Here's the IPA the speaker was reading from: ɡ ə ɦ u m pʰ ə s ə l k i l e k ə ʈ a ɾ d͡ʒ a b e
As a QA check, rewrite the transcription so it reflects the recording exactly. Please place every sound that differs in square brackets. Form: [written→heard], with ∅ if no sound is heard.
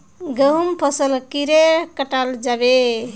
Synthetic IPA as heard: ɡ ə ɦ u m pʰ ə s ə l k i [l→ɾ] e k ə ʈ a [ɾ→l] d͡ʒ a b e